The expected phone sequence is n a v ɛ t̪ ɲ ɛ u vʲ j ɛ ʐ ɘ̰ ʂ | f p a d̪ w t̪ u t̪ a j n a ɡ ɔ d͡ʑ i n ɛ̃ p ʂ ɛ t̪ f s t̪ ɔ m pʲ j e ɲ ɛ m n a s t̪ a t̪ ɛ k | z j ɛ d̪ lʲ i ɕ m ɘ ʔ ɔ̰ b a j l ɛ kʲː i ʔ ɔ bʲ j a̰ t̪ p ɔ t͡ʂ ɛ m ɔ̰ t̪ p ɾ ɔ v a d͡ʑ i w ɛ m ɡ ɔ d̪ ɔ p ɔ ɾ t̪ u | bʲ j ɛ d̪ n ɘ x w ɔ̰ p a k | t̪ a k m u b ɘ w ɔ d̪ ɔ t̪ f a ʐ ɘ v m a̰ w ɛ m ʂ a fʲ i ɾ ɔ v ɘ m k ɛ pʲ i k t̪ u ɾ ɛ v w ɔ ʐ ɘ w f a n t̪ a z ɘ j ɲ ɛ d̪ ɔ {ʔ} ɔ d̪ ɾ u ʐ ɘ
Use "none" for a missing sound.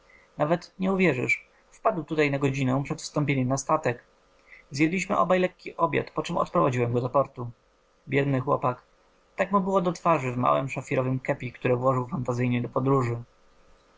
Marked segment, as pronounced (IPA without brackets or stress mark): p